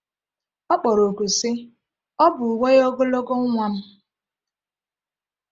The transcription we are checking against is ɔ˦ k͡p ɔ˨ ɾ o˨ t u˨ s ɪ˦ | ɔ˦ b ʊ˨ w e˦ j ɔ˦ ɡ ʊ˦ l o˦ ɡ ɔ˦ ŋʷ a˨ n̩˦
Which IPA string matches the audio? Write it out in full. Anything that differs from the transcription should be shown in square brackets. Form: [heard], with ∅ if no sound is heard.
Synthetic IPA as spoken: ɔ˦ k͡p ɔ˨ ɾ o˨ [k] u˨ s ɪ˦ | ɔ˦ b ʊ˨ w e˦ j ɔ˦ ɡ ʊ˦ l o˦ ɡ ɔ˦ ŋʷ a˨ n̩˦